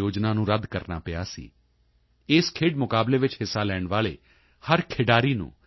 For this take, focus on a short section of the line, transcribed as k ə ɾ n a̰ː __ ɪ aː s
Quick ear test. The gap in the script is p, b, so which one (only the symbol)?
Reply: p